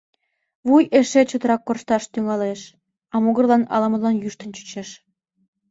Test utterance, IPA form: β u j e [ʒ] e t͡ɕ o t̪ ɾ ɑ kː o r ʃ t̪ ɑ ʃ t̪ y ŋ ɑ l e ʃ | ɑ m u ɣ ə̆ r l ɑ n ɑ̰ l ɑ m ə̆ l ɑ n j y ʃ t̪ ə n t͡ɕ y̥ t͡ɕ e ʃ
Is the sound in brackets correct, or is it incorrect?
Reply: incorrect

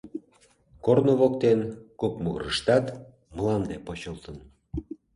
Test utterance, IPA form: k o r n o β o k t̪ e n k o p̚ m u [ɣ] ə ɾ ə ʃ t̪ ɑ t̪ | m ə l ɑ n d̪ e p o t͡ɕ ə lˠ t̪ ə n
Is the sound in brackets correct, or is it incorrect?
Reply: correct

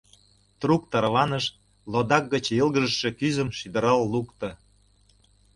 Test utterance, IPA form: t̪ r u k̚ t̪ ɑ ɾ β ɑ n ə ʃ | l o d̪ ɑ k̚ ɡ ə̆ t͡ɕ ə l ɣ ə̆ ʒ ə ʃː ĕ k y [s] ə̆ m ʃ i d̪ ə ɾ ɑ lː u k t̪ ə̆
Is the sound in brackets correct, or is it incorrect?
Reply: incorrect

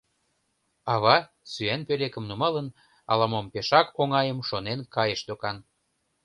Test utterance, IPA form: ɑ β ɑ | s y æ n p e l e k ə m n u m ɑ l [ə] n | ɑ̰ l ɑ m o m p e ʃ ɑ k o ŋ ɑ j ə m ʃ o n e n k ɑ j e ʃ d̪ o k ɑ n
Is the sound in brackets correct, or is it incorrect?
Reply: correct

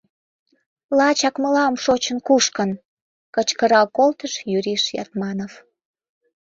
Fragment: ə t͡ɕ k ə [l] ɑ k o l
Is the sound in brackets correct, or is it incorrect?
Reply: incorrect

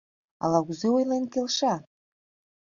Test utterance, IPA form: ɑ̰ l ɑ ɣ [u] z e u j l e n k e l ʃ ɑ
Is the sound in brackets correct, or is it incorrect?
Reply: correct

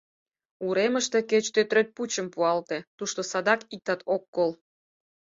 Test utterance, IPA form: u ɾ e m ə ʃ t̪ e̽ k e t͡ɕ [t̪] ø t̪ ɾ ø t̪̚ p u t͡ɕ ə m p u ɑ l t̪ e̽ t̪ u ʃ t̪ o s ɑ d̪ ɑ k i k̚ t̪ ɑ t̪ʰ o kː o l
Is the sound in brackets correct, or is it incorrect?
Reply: correct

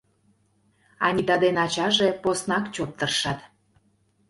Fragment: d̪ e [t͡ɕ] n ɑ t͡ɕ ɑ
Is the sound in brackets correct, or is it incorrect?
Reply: incorrect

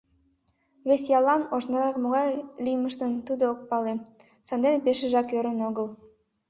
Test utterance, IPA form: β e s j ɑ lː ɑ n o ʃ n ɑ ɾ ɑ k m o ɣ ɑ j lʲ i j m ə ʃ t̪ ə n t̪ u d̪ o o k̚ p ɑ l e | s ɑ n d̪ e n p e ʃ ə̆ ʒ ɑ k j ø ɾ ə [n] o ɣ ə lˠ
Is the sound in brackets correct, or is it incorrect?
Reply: correct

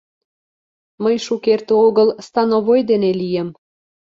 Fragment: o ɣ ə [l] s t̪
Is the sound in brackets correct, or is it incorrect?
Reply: correct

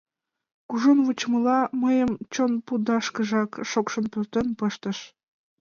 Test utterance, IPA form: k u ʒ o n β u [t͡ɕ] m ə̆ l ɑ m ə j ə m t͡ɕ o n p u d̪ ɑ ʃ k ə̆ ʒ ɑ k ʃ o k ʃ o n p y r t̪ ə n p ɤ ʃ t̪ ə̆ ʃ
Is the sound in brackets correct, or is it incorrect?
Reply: correct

